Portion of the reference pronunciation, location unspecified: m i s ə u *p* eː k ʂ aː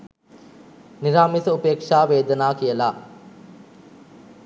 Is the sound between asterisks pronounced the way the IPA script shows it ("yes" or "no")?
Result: yes